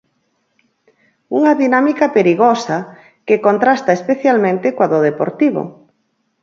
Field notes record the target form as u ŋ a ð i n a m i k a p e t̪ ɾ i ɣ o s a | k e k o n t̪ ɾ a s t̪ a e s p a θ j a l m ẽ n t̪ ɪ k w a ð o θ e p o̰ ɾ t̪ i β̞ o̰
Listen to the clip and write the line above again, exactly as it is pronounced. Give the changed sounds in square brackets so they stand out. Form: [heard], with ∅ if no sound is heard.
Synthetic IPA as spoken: u ŋ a ð i n a m i k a p e [∅] ɾ i ɣ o s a | k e k o n t̪ ɾ a s t̪ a e s p [e] θ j a l m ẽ n t̪ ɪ k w a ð o [ð] e p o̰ ɾ t̪ i β̞ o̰